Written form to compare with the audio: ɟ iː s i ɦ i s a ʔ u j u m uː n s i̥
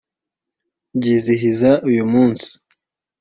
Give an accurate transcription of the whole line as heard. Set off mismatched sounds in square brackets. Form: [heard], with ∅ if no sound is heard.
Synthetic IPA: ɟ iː [z] i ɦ i [z] a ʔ u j u m uː n s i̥